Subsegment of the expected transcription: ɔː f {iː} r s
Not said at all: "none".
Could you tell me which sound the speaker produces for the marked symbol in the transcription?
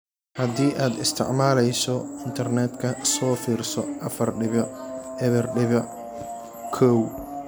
iː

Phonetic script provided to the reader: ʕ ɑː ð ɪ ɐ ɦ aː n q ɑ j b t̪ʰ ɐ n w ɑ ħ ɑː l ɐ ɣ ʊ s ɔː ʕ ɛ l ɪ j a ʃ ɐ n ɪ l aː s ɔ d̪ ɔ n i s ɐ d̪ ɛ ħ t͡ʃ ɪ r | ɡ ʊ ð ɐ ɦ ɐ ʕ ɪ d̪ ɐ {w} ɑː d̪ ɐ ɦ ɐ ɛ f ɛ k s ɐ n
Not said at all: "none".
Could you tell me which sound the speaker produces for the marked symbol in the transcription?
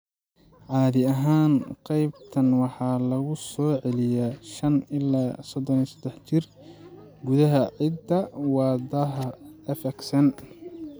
w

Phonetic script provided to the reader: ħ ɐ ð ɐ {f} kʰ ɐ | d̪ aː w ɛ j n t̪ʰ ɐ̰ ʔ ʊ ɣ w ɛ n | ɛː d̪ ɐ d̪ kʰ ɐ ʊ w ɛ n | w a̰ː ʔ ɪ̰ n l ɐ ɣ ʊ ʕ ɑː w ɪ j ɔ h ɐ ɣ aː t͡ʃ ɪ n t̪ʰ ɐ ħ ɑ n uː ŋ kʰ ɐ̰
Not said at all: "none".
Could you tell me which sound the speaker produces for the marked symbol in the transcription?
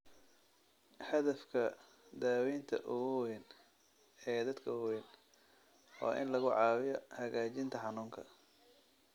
f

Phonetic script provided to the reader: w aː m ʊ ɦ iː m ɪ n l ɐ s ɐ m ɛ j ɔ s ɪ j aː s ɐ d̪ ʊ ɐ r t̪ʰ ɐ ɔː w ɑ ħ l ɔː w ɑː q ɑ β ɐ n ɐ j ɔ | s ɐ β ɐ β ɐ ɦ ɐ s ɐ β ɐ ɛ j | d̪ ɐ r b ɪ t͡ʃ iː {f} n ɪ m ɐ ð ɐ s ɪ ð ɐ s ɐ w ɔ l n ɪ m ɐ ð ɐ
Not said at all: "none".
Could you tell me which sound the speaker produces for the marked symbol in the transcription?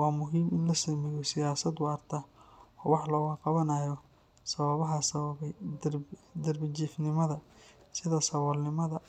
f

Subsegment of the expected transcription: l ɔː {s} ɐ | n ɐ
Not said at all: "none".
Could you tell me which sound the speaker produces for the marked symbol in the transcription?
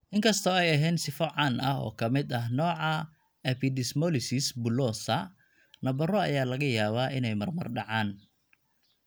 s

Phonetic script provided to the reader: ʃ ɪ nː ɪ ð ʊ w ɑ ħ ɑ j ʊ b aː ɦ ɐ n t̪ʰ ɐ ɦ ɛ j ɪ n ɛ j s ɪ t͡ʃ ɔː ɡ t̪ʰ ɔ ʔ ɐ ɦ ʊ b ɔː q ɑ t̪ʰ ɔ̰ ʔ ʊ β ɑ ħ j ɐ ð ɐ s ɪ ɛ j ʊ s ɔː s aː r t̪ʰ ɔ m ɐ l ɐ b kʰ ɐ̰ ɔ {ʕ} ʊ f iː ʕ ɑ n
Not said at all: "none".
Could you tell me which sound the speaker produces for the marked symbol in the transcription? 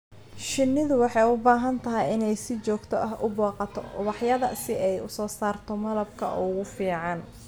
ɣ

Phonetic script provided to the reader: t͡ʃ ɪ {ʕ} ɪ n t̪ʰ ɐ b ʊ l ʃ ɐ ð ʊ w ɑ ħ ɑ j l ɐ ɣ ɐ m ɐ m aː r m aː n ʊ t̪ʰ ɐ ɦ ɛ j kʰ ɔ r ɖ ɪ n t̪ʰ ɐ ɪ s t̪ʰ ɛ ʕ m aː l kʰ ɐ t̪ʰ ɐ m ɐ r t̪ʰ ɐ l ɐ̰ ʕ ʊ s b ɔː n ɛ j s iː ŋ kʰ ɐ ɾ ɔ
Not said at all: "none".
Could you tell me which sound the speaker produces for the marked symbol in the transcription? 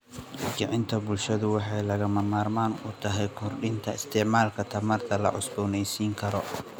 ʕ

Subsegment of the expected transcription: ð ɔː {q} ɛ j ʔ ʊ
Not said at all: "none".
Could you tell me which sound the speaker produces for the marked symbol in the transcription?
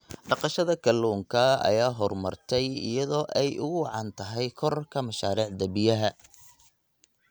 ʔ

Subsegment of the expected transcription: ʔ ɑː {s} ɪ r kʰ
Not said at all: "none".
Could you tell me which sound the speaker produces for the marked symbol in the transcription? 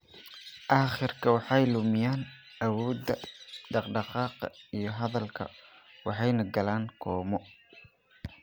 χ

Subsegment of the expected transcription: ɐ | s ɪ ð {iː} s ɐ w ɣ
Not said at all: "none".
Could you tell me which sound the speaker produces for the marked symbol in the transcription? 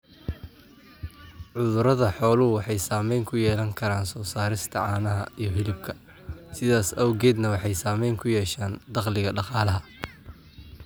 aː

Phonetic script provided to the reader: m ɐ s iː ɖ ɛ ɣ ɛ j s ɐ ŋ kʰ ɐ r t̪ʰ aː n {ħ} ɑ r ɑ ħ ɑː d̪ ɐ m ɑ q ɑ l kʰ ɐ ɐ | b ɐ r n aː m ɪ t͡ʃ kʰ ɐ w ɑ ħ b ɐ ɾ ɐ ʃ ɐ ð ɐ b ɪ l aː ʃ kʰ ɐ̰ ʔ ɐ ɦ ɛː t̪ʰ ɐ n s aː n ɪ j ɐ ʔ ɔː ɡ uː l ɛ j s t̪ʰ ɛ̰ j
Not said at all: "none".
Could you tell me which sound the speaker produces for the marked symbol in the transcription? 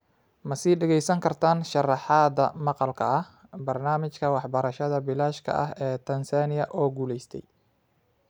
ʃ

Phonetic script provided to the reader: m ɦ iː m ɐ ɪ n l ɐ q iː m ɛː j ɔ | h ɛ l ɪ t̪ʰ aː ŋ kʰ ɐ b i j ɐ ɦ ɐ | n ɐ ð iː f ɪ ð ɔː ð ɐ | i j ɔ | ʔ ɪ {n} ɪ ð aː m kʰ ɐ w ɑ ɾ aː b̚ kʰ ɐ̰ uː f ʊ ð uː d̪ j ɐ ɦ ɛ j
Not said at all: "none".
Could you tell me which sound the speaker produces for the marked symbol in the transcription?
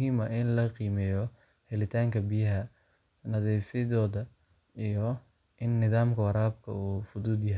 nː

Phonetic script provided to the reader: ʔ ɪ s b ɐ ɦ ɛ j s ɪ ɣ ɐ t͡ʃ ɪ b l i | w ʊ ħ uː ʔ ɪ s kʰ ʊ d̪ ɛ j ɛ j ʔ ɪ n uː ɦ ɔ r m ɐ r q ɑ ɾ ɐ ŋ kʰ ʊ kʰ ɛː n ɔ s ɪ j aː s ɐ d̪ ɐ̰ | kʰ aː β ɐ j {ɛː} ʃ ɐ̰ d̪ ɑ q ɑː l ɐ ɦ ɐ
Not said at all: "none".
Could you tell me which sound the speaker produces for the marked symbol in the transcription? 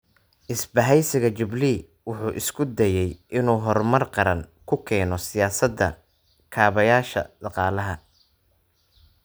aː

